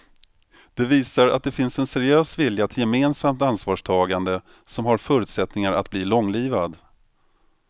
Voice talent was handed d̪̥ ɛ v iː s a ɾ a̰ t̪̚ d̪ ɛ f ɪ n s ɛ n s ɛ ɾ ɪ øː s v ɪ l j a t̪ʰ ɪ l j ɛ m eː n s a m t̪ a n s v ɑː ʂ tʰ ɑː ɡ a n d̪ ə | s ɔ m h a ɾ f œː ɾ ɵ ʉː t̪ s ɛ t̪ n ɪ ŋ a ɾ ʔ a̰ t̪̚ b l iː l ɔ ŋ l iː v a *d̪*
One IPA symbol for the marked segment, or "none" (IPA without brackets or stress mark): d̪